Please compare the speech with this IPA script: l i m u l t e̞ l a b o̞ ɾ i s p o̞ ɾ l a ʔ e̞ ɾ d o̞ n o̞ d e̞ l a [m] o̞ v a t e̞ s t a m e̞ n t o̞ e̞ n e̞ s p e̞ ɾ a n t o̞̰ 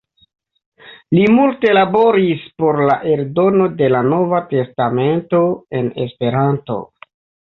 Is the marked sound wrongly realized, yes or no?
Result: yes